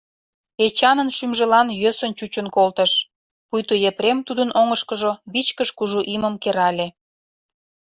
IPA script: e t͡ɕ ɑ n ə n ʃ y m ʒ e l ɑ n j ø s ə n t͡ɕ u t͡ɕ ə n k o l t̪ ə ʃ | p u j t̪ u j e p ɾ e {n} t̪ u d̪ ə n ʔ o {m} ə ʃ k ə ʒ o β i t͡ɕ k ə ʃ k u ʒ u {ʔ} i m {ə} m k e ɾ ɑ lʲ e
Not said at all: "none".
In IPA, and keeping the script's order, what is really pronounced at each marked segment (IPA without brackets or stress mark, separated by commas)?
m, ŋ, ʔ, ə